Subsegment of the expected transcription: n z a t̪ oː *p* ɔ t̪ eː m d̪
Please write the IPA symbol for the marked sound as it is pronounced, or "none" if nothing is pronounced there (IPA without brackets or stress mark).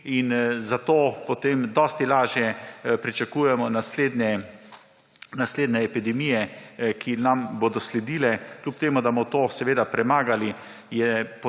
p